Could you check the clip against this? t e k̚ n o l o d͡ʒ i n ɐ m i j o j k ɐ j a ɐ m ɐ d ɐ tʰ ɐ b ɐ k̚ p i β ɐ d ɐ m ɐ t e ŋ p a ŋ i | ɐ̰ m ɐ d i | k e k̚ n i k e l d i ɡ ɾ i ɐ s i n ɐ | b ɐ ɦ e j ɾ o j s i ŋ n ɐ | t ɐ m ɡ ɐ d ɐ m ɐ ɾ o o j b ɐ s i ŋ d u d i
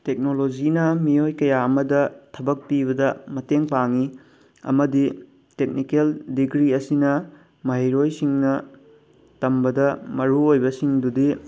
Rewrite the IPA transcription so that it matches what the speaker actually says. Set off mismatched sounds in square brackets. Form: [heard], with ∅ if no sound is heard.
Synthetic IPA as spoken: t e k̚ n o l o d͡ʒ i n ɐ m i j o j k ɐ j a ɐ m ɐ d ɐ tʰ ɐ b ɐ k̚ p i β ɐ d ɐ m ɐ t e ŋ p a ŋ i | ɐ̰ m ɐ d i | [t] e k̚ n i k e l d i ɡ ɾ i ɐ s i n ɐ | [m] ɐ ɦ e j ɾ o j s i ŋ n ɐ | t ɐ m [b] ɐ d ɐ m ɐ ɾ [u] o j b ɐ s i ŋ d u d i